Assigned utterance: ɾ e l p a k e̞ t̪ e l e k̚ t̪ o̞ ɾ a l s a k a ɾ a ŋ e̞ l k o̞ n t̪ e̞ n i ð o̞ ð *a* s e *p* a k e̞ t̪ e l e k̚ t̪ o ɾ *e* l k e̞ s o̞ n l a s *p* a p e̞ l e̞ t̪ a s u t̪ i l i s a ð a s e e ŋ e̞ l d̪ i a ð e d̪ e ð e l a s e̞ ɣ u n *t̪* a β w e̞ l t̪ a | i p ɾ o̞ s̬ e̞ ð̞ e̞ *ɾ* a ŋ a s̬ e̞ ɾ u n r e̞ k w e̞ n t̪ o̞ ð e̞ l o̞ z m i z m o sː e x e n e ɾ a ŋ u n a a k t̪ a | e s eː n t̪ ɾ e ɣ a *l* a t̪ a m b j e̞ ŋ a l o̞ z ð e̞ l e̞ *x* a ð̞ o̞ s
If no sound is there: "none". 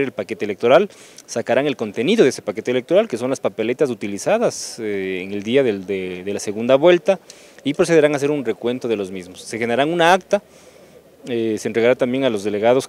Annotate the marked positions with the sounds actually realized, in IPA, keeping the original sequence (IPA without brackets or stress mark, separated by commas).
e, p, a, p, d̪, ɾ, ɾ, ɣ